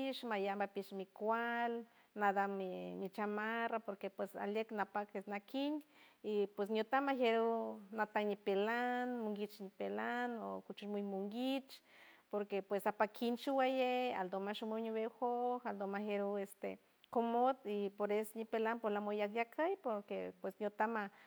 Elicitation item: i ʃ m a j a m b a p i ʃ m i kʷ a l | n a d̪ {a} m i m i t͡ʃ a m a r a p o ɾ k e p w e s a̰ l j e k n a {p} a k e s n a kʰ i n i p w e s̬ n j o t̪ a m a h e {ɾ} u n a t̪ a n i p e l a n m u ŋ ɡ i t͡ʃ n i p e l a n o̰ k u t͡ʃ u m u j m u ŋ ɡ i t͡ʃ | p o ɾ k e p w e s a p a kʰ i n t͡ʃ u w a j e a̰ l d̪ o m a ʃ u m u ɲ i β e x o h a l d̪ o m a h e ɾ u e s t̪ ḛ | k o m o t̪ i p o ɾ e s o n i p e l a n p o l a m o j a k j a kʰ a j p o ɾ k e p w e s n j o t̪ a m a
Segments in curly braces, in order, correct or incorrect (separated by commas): correct, correct, correct